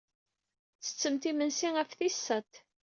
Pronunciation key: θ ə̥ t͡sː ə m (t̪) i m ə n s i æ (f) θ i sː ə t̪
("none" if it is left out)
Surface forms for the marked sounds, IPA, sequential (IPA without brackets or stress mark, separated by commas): t̪, f